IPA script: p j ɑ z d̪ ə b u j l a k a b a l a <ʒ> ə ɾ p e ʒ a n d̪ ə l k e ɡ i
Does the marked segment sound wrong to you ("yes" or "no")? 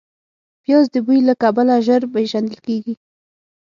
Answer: no